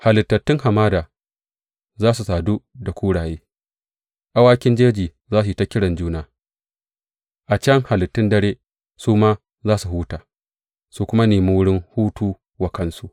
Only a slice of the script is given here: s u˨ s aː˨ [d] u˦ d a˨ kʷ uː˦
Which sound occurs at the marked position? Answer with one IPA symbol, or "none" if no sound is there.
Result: d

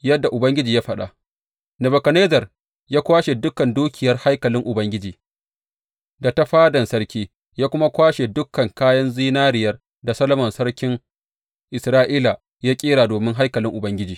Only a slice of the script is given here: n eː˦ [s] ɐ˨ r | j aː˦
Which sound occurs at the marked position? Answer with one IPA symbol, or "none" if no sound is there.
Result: z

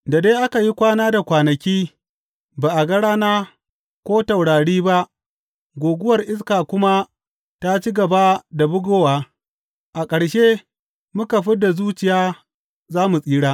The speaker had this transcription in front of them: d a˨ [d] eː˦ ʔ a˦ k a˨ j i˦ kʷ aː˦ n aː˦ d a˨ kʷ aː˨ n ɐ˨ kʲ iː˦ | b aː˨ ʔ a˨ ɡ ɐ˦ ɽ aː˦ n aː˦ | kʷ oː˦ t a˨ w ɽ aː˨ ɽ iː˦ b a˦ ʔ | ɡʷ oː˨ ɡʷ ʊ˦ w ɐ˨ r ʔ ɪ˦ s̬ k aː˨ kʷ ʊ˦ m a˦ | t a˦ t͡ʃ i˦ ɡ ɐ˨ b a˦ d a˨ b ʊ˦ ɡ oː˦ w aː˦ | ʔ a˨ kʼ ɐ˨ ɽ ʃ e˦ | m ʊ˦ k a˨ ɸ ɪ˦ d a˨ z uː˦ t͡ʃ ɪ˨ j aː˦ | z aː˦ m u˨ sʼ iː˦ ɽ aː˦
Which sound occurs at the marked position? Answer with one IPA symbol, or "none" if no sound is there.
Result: d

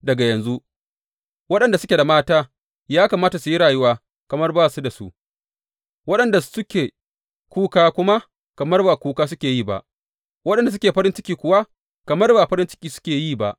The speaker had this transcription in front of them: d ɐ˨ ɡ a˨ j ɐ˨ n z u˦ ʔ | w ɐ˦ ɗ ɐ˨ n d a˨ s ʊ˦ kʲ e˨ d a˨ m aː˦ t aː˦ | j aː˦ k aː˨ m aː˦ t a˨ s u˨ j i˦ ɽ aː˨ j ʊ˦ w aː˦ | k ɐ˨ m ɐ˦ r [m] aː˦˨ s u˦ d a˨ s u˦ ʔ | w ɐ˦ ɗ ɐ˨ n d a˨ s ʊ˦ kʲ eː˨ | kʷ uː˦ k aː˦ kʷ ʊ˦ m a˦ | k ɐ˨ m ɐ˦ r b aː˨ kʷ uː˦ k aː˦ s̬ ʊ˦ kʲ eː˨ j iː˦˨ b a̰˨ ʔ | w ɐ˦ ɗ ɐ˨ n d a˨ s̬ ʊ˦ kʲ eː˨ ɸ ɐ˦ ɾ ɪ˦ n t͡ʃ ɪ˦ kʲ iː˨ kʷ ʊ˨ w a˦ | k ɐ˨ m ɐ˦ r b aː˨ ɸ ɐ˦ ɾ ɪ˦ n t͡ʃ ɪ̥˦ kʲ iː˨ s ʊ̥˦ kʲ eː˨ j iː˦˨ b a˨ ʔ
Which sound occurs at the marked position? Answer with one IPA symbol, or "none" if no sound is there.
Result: b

